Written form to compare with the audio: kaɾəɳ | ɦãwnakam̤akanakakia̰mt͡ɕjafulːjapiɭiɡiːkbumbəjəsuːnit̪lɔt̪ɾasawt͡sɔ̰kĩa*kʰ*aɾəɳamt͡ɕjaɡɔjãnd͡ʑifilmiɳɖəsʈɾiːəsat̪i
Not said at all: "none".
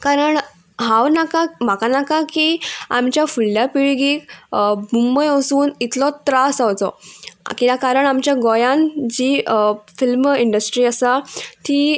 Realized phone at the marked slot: k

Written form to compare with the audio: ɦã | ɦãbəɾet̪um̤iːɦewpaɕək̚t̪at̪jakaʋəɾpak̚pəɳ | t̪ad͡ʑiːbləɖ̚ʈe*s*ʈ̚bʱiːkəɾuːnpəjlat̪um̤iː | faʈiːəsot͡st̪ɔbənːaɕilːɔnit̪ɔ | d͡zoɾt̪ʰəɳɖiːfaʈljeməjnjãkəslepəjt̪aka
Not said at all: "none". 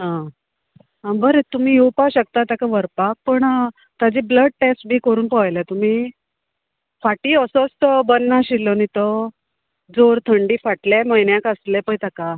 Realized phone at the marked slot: s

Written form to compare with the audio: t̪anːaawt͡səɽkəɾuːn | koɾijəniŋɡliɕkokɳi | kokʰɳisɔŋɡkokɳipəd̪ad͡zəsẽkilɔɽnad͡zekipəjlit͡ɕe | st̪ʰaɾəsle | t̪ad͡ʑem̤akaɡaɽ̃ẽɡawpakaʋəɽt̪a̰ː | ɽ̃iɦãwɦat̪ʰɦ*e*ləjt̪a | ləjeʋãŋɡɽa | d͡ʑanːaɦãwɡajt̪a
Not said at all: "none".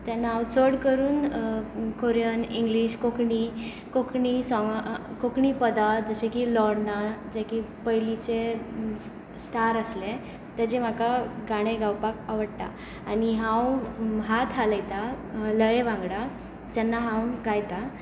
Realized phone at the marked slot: a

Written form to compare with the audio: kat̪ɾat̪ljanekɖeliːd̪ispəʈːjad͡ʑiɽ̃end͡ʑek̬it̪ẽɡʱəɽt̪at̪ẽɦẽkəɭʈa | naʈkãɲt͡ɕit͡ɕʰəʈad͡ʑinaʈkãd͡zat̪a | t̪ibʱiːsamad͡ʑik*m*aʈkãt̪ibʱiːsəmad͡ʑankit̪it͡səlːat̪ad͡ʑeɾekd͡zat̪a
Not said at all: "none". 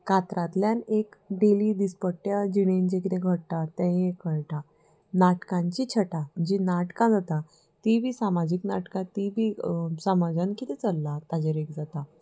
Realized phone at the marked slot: n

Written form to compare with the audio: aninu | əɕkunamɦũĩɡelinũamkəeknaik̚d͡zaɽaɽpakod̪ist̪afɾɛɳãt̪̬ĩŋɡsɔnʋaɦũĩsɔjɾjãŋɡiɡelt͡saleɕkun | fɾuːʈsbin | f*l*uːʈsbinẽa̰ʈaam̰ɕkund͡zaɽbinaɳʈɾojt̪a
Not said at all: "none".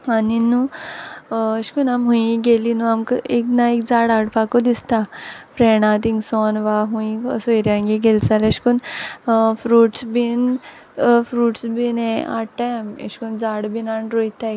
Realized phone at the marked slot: ɾ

